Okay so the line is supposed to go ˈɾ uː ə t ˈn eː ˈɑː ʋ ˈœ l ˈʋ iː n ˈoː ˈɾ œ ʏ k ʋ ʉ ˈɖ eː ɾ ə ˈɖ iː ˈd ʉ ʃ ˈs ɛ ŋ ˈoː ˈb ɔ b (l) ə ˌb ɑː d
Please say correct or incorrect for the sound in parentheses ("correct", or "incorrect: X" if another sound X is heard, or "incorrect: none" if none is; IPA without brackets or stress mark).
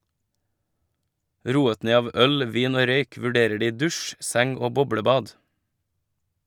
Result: incorrect: ɽ